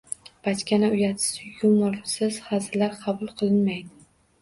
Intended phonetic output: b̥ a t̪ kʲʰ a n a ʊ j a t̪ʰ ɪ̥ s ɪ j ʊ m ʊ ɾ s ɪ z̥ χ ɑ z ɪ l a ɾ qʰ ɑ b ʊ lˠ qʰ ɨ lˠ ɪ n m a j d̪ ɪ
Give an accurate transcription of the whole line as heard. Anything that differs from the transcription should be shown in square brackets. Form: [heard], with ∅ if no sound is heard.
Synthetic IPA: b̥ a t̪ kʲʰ a n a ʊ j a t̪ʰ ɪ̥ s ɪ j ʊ m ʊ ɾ s ɪ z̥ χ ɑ z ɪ l a ɾ qʰ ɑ b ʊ lˠ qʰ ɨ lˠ ɪ n m a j d̪ ɪ